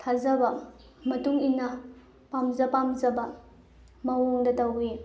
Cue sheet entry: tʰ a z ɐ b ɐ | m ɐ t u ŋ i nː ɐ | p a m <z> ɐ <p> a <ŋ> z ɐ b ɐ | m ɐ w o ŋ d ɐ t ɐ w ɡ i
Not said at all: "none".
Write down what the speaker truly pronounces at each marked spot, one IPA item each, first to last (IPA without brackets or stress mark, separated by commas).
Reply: z, p, m